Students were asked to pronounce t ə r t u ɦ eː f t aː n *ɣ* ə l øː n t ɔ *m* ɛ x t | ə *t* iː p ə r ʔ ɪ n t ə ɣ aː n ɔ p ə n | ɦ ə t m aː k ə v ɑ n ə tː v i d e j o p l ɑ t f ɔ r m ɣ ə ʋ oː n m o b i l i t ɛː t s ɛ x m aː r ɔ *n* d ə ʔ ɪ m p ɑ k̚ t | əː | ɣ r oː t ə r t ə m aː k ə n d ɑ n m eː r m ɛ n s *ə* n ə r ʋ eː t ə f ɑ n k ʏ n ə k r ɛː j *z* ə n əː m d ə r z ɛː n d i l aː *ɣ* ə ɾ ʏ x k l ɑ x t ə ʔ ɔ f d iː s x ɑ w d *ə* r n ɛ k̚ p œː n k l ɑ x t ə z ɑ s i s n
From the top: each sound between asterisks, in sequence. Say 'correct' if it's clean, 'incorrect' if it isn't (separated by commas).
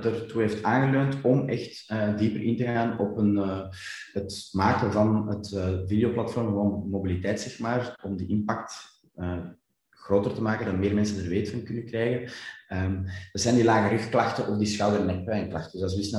correct, correct, incorrect, incorrect, correct, incorrect, correct, correct